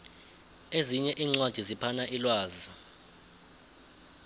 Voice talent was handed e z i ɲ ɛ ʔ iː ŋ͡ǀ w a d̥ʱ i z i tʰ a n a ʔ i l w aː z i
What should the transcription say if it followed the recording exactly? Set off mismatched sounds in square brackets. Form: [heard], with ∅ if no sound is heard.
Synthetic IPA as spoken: e z i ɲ ɛ ʔ iː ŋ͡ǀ w a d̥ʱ i z i [pʰ] a n a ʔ i l w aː z i